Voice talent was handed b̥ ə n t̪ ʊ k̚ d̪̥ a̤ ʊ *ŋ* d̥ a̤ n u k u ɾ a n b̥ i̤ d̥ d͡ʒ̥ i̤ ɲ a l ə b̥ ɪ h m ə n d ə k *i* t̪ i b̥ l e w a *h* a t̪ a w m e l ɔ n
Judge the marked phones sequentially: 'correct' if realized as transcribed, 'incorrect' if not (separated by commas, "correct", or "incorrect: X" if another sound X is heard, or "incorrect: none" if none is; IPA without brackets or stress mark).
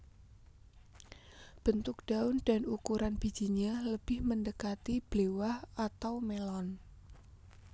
incorrect: n, incorrect: a, correct